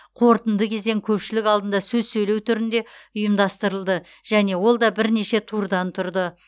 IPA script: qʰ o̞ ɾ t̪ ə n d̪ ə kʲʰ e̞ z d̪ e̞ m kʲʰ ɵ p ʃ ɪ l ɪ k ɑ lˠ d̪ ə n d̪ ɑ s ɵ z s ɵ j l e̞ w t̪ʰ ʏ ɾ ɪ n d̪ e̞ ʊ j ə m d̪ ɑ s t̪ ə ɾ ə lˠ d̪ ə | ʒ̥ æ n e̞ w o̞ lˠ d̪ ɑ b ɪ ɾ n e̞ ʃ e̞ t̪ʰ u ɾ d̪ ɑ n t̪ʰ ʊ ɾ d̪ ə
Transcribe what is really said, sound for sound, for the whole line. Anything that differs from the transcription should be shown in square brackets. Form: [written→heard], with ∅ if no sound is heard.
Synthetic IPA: qʰ o̞ ɾ t̪ ə n d̪ ə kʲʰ e̞ z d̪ e̞ [m→ŋ] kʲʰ ɵ p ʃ ɪ l ɪ k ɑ lˠ d̪ ə n d̪ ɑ s ɵ z s ɵ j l e̞ w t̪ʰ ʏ ɾ ɪ n d̪ e̞ ʊ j ə m d̪ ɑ s t̪ ə ɾ ə lˠ d̪ ə | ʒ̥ æ n e̞ w o̞ lˠ d̪ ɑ b ɪ ɾ n e̞ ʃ e̞ t̪ʰ u ɾ d̪ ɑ n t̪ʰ ʊ ɾ d̪ ə